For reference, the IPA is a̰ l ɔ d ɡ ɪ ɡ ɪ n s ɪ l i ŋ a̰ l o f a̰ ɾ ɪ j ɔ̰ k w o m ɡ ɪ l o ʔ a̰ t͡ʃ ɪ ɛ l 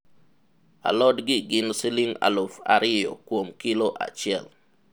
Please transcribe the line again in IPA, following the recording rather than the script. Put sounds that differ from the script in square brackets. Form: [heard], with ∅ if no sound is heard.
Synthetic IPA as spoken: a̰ l ɔ d ɡ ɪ ɡ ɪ n s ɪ l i ŋ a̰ l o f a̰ ɾ ɪ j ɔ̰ k w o m [k] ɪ l o ʔ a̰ t͡ʃ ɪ ɛ l